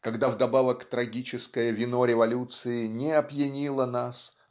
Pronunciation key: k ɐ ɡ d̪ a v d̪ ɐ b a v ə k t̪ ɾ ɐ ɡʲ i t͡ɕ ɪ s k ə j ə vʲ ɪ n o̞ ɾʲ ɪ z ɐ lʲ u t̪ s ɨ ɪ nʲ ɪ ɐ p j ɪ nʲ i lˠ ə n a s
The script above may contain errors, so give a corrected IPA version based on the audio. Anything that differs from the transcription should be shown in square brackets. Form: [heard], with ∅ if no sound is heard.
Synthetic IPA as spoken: k ɐ ɡ d̪ a v d̪ ɐ b a v ə k t̪ ɾ ɐ ɡʲ i t͡ɕ ɪ s k ə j ə vʲ ɪ n o̞ ɾʲ ɪ [v] ɐ lʲ u t̪ s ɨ ɪ nʲ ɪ ɐ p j ɪ nʲ i lˠ ə n a s

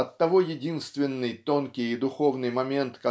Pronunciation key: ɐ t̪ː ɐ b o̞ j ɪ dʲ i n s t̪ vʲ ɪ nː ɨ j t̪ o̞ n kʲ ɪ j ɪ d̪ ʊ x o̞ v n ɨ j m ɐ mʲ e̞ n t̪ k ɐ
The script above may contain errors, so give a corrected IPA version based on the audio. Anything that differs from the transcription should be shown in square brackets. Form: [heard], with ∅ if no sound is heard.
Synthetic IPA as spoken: ɐ t̪ː ɐ [v] o̞ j ɪ dʲ i n s t̪ vʲ ɪ nː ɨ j t̪ o̞ n kʲ ɪ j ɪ d̪ ʊ x o̞ v n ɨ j m ɐ mʲ e̞ n t̪ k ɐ

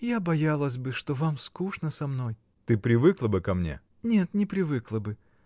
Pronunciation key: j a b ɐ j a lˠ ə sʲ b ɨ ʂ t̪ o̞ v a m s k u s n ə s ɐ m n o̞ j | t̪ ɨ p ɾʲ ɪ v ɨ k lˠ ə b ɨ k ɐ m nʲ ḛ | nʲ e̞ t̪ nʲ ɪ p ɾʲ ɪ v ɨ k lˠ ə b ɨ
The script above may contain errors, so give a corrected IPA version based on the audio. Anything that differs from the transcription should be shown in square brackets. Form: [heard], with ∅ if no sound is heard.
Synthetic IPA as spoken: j a b ɐ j a lˠ ə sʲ b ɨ ʂ t̪ o̞ v a m s k u [ʂ] n ə s ɐ m n o̞ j | t̪ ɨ p ɾʲ ɪ v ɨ k lˠ ə b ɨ k ɐ m nʲ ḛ | nʲ e̞ t̪ nʲ ɪ p ɾʲ ɪ v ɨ k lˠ ə b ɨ

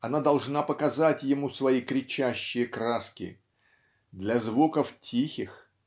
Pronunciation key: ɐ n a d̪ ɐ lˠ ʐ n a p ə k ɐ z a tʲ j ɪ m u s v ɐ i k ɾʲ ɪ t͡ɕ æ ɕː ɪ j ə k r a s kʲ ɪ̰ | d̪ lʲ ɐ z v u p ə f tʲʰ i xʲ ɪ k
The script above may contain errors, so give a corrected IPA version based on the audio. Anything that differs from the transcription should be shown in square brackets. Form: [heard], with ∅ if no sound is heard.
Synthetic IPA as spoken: ɐ n a d̪ ɐ lˠ ʐ n a p ə k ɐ z a tʲ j ɪ m u s v ɐ i k ɾʲ ɪ t͡ɕ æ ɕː ɪ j ə k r a s kʲ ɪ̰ | d̪ lʲ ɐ z v u [k] ə f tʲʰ i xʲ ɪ [x]

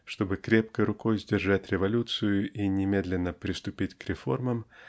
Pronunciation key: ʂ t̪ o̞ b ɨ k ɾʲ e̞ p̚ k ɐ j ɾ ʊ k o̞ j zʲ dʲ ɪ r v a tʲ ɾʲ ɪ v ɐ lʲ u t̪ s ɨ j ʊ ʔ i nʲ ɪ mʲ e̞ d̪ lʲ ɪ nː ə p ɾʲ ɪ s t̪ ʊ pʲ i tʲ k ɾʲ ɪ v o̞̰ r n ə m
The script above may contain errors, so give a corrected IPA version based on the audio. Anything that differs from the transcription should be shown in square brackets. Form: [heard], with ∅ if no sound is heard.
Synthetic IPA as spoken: ʂ t̪ o̞ b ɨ k ɾʲ e̞ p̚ k [ə] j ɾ ʊ k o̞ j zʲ dʲ ɪ r [ʐ] a tʲ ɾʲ ɪ v ɐ lʲ u t̪ s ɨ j ʊ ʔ i nʲ ɪ mʲ e̞ d̪ lʲ ɪ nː ə p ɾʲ ɪ s t̪ ʊ pʲ i tʲ k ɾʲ ɪ [f] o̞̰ r [m] ə m

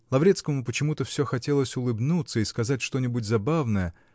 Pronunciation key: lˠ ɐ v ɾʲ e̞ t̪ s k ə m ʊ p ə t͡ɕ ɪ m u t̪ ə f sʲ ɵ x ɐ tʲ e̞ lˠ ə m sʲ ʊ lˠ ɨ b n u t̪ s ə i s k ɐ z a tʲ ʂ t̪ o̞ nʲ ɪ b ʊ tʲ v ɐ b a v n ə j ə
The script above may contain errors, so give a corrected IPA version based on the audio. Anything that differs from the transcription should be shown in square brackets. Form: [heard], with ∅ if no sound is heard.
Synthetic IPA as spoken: lˠ ɐ v ɾʲ e̞ t̪ s k ə m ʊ p ə t͡ɕ ɪ m u t̪ ə f sʲ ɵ x ɐ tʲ e̞ lˠ ə [∅] sʲ ʊ lˠ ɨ b n u t̪ s ə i s k ɐ z a tʲ ʂ t̪ o̞ nʲ ɪ b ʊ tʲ [z] ɐ b a v n ə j ə

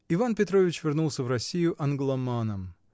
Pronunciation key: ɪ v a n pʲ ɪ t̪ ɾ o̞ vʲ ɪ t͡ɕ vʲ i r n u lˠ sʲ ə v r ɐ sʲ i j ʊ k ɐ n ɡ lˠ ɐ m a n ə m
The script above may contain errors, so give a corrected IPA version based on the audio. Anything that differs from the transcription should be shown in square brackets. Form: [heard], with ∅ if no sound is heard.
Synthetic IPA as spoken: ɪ v a n pʲ ɪ t̪ ɾ o̞ vʲ ɪ t͡ɕ vʲ [ɪ] r n u lˠ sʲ ə v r ɐ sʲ i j ʊ [ʔ] ɐ n ɡ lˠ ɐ m a n ə m

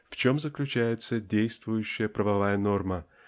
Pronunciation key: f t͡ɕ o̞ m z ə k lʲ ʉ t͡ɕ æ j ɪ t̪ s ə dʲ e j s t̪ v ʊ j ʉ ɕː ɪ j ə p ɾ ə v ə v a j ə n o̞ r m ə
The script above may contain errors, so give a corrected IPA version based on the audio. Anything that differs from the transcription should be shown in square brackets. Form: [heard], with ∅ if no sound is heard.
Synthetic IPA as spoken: f t͡ɕ o̞ m z ə k lʲ ʉ t͡ɕ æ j ɪ t̪ s ə dʲ e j s t̪ v ʊ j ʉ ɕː ɪ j ə p ɾ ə v [ɐ] v a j ə n o̞ r m ə

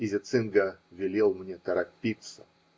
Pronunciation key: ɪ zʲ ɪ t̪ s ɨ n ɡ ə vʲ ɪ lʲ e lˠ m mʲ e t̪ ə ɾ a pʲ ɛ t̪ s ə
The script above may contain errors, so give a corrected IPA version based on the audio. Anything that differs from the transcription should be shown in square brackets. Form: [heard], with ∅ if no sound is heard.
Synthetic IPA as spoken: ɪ zʲ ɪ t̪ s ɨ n ɡ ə vʲ ɪ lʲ e lˠ m [nʲ] e t̪ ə ɾ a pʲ [i] t̪ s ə

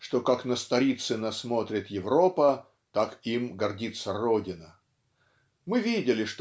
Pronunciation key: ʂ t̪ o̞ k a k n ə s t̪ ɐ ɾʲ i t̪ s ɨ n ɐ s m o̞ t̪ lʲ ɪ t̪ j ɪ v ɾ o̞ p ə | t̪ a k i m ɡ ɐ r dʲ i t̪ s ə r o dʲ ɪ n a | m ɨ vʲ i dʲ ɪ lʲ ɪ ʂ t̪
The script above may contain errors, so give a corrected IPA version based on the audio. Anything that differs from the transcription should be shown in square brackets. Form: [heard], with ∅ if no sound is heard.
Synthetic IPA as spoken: ʂ t̪ o̞ k a k n ə s t̪ ɐ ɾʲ i t̪ s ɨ n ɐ s m o̞ t̪ [ɾʲ] ɪ t̪ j ɪ v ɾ o̞ p ə | t̪ a k i m ɡ ɐ r dʲ i t̪ s ə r o dʲ ɪ n [ə] | m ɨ vʲ i dʲ ɪ lʲ ɪ ʂ t̪

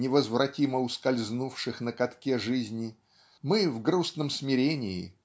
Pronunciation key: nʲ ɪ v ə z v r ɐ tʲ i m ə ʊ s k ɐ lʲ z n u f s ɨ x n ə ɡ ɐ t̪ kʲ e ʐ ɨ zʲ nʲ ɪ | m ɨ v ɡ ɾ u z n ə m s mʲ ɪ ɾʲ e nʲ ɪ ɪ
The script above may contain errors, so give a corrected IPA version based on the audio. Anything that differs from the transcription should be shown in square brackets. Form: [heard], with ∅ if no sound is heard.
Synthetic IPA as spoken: nʲ ɪ v ə z v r ɐ tʲ i m ə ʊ s k ɐ lʲ z n u f [ʂ] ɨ x n ə [k] ɐ t̪ kʲ e ʐ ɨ zʲ nʲ ɪ | m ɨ v ɡ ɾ u [s] n ə m s mʲ ɪ ɾʲ e nʲ ɪ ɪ

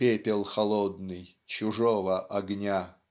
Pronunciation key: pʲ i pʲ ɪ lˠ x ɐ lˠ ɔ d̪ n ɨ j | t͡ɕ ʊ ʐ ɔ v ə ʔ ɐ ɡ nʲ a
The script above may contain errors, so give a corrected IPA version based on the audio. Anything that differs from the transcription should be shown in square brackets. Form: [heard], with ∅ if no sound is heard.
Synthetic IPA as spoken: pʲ [e] pʲ ɪ lˠ x ɐ lˠ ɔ d̪ n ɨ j | t͡ɕ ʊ ʐ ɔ v ə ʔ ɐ ɡ nʲ a

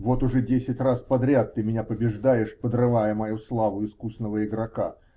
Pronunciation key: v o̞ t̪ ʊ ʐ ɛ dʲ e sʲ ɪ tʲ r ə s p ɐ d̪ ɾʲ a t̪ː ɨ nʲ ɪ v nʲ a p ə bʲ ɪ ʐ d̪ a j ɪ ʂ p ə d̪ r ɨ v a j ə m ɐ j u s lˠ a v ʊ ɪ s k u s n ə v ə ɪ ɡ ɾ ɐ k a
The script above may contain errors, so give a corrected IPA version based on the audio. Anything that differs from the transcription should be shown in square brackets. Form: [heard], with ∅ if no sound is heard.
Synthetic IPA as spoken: v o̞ t̪ ʊ ʐ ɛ dʲ e sʲ ɪ tʲ r [a] s p ɐ d̪ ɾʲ a t̪ː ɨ [mʲ] ɪ [∅] nʲ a p ə bʲ ɪ ʐ d̪ a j ɪ ʂ p ə d̪ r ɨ v a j ə m ɐ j u s lˠ a v ʊ ɪ s k u s n ə v ə ɪ ɡ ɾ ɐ k a

